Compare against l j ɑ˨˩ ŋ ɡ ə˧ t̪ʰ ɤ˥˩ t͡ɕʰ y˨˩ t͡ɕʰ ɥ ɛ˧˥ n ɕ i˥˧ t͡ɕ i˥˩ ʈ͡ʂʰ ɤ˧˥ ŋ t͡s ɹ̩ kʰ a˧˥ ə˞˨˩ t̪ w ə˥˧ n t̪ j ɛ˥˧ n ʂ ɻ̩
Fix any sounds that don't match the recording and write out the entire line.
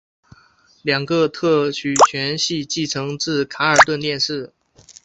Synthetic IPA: l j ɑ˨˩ ŋ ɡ ə˧ t̪ʰ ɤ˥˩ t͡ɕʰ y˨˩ t͡ɕʰ ɥ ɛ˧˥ n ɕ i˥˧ t͡ɕ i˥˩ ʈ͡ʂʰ ɤ˧˥ ŋ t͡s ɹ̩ kʰ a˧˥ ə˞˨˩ t̪ w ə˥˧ n t̪ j ɛ˥˧ n ʂ ɻ̩